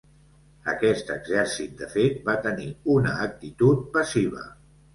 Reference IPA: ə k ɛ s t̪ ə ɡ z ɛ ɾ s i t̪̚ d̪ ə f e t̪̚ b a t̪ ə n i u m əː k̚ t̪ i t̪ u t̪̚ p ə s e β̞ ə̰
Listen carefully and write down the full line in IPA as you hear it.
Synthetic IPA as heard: ə k ɛ s t̪ ə ɡ z ɛ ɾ s i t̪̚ d̪ ə f e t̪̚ b a t̪ ə n i u n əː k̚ t̪ i t̪ u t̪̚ p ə s i β̞ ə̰